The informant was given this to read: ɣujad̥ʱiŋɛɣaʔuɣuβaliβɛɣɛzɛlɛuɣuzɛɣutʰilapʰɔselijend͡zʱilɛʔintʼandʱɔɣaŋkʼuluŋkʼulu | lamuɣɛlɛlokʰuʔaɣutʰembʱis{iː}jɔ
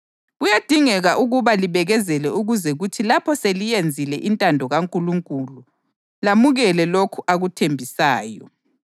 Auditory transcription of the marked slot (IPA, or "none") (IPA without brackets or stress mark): aː